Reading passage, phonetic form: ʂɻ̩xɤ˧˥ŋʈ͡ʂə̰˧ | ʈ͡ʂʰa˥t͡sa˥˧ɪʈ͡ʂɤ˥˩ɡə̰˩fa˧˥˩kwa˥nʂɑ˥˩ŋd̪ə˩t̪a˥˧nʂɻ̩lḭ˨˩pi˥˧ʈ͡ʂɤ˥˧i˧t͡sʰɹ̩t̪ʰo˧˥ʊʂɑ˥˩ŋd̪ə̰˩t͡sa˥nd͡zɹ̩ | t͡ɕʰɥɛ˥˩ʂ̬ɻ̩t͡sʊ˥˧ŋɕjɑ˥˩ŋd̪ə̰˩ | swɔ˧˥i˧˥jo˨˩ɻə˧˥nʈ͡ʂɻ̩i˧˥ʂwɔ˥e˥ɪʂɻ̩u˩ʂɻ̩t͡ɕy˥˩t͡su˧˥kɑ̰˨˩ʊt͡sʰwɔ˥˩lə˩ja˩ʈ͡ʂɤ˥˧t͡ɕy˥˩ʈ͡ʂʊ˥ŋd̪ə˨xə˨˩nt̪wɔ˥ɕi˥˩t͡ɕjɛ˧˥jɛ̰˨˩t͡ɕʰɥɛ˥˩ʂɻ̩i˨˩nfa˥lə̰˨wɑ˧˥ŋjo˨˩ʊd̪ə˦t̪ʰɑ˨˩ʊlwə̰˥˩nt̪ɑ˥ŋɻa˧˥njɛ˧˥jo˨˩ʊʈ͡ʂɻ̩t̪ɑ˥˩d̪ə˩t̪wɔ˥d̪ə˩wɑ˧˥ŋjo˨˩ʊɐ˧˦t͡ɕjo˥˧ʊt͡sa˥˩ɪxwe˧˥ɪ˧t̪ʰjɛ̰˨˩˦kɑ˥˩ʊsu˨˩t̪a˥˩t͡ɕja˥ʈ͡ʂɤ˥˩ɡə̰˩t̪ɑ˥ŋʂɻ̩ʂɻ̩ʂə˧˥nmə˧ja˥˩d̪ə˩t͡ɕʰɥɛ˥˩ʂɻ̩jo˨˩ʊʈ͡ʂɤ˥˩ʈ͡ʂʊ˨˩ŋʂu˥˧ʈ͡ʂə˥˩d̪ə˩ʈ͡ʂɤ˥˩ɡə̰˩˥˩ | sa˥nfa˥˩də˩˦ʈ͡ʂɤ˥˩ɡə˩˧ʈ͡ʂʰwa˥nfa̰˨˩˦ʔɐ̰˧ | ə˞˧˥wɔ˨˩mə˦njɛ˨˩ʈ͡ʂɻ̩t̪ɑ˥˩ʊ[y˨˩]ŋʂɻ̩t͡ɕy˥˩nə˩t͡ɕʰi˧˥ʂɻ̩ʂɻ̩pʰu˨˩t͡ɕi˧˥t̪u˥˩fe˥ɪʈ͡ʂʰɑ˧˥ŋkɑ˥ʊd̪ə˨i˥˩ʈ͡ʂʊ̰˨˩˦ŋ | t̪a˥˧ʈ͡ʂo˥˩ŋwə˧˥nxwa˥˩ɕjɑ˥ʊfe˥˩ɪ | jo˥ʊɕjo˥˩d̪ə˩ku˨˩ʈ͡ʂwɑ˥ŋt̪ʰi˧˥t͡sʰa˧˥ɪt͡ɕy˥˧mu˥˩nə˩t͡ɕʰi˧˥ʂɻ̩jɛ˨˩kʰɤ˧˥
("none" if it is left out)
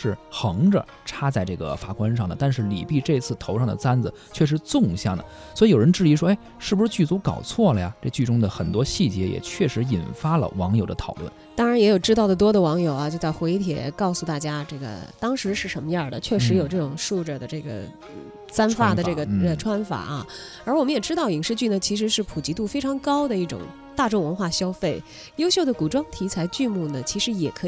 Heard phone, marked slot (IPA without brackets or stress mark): i˨˩